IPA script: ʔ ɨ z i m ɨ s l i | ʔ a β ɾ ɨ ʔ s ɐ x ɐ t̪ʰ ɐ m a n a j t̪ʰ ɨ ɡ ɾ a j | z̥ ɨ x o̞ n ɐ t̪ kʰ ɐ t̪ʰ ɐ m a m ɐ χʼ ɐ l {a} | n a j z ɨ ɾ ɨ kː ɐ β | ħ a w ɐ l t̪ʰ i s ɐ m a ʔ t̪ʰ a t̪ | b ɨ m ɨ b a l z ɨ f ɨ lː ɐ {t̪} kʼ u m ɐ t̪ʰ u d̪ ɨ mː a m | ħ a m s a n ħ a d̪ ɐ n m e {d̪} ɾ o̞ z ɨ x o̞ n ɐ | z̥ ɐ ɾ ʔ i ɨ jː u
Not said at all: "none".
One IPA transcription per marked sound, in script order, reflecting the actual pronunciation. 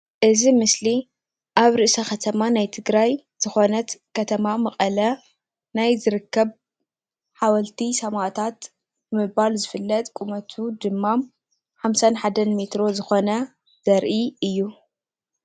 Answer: ɐ, t̪ʼ, t̪

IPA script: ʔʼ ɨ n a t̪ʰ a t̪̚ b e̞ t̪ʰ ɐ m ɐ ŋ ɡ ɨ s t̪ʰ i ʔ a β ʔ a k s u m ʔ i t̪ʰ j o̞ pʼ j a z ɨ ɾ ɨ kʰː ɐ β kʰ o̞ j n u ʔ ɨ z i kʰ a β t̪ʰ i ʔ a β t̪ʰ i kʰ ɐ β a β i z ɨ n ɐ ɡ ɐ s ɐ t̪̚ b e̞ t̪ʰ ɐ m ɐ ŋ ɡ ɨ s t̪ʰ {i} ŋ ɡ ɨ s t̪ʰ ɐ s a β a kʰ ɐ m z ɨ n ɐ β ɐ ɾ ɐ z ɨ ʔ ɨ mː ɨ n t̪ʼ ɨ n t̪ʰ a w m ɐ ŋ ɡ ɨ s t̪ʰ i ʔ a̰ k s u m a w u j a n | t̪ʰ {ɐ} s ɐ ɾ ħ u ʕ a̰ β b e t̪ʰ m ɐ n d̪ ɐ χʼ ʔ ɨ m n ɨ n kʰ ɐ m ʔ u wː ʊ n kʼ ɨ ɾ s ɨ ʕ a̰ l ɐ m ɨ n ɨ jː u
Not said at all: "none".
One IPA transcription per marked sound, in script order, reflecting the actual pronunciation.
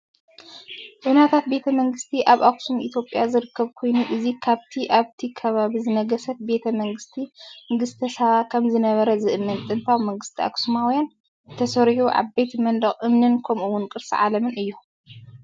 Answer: i, ɐ

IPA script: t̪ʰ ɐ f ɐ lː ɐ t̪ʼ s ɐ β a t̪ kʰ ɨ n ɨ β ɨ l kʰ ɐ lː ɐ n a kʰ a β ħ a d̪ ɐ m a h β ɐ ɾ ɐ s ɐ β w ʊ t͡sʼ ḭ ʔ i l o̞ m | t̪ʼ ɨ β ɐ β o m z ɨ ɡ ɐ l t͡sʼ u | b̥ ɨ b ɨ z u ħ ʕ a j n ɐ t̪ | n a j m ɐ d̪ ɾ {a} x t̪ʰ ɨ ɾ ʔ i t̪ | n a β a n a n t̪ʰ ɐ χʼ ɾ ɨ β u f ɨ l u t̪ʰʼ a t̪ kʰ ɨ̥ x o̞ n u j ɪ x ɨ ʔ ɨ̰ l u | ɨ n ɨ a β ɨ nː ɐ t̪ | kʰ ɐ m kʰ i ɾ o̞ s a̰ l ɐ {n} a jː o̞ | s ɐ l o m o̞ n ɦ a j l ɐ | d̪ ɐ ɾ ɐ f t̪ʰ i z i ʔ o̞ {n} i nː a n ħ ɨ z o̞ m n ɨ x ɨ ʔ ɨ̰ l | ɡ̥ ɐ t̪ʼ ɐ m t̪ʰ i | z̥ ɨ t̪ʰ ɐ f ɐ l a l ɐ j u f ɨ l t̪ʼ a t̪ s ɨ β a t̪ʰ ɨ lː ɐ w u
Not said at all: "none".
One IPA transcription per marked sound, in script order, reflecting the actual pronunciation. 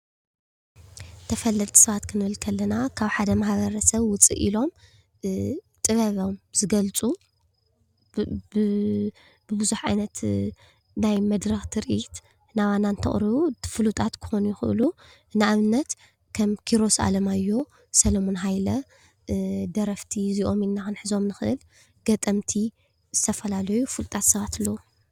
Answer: ɐ, m, m

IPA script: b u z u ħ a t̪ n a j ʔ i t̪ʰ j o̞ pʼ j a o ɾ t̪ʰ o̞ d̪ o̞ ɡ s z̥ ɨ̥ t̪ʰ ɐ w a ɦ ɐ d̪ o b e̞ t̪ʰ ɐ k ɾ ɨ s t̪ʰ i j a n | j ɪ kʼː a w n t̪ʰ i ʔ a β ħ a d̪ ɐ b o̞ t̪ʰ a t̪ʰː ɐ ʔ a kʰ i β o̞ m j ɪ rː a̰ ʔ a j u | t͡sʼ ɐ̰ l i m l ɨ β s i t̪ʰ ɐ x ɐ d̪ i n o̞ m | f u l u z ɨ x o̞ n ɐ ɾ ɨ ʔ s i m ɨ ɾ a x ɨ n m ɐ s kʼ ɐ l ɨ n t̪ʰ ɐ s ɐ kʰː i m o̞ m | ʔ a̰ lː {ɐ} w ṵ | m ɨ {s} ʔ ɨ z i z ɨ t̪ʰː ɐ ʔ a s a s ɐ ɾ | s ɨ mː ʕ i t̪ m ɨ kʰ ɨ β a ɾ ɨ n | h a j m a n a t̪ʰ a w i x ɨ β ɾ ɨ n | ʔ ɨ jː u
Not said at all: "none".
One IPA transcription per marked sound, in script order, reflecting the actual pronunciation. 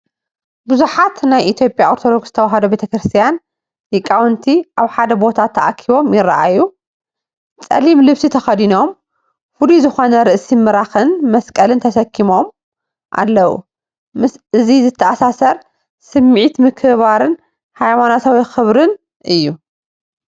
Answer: ɐ, s

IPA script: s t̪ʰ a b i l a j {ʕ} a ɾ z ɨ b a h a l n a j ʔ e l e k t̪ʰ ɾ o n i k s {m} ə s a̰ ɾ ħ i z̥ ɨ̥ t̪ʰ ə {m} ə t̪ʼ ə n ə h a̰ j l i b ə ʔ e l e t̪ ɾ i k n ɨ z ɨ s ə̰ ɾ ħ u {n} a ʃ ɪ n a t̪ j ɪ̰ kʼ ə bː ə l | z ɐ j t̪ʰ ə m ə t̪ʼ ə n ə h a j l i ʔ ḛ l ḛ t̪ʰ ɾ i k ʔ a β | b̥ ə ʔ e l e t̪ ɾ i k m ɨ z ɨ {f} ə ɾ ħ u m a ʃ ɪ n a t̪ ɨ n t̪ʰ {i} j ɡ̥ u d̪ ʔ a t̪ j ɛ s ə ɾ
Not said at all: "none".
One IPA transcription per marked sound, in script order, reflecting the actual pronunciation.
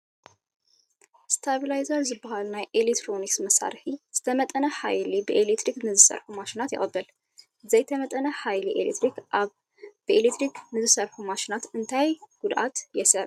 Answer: z, m, m, m, s, a

